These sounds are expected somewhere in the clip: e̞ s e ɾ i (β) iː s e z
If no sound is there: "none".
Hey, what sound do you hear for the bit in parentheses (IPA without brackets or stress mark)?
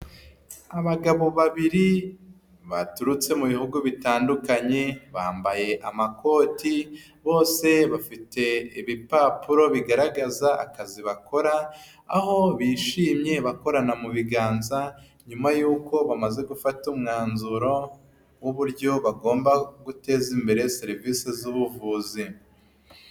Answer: v